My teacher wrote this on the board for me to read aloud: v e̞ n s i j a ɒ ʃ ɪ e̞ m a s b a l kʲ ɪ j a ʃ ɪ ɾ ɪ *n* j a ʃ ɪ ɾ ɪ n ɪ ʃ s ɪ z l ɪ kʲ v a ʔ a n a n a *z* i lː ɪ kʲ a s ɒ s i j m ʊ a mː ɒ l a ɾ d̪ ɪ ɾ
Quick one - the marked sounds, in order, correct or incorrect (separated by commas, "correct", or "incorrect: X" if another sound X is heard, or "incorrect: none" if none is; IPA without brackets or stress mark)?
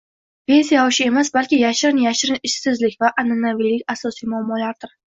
correct, incorrect: v